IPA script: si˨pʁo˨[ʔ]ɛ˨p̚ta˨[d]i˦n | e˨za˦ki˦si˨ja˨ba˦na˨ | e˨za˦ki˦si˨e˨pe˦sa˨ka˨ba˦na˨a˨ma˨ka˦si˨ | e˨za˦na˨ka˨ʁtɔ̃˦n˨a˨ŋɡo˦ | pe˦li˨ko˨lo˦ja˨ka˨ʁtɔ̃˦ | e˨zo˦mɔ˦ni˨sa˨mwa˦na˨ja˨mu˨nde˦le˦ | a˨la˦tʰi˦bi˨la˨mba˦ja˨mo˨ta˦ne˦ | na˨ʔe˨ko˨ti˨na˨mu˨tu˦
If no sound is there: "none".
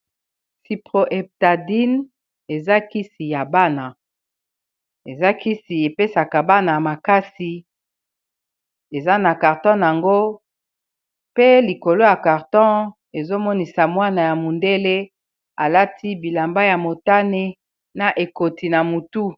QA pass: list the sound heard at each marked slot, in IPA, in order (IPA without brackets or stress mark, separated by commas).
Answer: ʔ, d